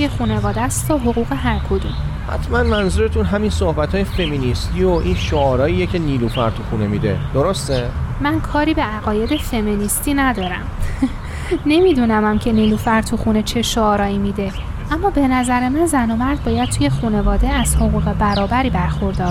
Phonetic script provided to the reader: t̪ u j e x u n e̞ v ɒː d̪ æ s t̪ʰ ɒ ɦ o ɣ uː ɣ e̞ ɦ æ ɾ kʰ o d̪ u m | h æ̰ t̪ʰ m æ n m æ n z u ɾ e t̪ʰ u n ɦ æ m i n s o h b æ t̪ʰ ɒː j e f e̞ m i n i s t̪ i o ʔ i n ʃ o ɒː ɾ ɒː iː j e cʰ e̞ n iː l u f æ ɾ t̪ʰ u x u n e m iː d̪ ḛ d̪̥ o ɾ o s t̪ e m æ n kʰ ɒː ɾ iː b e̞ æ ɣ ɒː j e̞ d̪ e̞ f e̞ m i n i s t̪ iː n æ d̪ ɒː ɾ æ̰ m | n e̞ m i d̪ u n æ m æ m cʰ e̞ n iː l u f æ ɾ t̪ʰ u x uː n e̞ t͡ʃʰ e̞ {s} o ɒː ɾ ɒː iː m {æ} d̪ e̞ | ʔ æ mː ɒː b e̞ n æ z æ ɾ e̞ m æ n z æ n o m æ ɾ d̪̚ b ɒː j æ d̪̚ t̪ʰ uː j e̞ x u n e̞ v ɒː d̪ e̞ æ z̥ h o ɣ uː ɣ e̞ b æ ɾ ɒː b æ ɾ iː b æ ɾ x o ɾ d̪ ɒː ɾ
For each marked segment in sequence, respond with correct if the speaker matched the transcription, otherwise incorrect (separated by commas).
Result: incorrect, incorrect